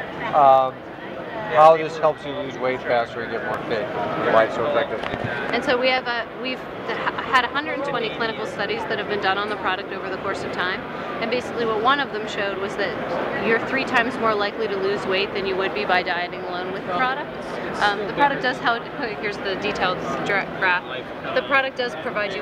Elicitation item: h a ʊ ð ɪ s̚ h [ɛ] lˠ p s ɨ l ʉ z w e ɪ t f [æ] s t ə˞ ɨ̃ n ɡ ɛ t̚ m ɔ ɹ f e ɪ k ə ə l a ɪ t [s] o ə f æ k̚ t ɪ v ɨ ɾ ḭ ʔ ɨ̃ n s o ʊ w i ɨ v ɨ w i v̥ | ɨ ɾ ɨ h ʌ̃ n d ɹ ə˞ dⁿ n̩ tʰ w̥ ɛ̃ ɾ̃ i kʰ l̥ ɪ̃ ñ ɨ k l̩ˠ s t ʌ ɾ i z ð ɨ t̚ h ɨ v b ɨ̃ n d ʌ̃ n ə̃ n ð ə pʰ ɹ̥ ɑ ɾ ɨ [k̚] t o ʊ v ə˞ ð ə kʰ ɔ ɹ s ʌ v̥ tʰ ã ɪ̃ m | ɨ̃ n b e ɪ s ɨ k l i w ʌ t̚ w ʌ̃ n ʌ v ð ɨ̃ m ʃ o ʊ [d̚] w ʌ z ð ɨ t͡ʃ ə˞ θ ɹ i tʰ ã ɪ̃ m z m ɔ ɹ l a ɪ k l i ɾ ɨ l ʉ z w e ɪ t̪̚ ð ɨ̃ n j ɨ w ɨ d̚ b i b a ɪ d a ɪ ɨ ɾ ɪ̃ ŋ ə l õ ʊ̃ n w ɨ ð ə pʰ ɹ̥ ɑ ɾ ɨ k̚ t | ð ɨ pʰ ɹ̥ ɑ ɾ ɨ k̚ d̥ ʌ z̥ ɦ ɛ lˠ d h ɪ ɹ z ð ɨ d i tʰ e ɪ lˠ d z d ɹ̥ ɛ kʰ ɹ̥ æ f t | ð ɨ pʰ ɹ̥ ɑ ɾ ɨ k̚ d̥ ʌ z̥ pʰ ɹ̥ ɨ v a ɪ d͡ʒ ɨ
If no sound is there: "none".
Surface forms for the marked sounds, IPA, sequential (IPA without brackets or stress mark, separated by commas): ɛ, æ, s, k̚, d̚